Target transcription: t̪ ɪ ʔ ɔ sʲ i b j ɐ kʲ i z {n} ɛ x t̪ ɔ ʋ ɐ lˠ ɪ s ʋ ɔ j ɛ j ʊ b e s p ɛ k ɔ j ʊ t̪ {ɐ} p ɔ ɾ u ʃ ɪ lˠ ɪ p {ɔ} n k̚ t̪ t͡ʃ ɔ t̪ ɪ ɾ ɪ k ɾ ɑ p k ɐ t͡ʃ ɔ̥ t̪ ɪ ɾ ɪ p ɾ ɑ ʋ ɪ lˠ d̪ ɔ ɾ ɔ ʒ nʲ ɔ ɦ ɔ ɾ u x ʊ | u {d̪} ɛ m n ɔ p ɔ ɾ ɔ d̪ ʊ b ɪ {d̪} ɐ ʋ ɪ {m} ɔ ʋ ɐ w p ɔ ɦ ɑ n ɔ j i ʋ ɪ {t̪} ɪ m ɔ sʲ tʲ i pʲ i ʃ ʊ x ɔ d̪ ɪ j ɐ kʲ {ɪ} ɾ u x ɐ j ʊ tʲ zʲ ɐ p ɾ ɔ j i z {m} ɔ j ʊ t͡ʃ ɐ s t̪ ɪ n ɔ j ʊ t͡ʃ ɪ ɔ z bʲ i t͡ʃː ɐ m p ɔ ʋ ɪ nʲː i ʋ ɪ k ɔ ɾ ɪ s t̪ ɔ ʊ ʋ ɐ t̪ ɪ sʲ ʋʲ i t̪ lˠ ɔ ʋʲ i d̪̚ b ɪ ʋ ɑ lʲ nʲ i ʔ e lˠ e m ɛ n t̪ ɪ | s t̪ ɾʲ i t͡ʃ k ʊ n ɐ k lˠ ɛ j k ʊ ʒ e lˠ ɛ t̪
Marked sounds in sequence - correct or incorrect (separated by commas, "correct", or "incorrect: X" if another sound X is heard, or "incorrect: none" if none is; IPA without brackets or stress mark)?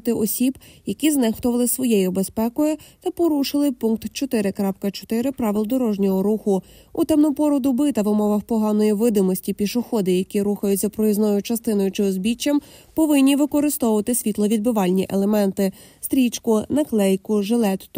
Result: correct, correct, incorrect: u, incorrect: t̪, incorrect: t̪, correct, incorrect: d̪, incorrect: i, incorrect: n